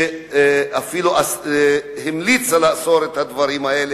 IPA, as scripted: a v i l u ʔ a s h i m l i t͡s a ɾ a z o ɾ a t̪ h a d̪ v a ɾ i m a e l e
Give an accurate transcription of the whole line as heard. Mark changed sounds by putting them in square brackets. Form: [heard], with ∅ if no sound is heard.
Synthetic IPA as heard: a [f] i l u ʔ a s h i m l i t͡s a [l] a [s] o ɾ [e] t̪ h a d̪ v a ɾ i m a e l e